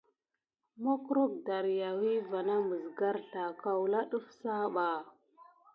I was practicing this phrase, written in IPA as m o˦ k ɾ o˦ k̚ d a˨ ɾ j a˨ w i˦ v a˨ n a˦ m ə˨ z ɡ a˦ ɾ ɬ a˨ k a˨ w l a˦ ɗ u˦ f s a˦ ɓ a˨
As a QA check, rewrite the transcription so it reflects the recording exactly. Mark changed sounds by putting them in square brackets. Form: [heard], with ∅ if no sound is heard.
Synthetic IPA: m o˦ k ɾ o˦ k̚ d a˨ ɾ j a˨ w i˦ v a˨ n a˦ m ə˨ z ɡ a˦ ɾ ɬ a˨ k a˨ w l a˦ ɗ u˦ f s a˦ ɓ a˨